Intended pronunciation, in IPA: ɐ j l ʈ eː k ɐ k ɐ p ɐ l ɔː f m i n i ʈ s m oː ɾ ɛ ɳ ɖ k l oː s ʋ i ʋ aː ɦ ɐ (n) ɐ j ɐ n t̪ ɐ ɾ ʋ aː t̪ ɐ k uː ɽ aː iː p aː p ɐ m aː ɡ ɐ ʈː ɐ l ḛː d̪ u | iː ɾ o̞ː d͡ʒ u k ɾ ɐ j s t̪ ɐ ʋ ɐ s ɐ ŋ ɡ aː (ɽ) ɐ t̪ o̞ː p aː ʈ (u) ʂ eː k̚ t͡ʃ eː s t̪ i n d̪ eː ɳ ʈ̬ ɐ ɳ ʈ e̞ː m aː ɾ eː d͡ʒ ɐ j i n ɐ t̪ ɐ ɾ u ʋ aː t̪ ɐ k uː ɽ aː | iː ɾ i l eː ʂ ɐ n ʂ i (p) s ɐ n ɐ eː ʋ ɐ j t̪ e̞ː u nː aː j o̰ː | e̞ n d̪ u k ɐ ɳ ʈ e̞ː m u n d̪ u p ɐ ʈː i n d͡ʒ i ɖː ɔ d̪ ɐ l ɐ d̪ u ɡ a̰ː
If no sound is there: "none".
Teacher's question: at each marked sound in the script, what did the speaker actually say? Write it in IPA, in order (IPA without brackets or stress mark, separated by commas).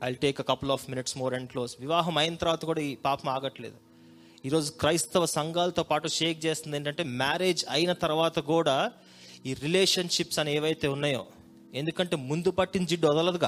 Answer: m, l, u, p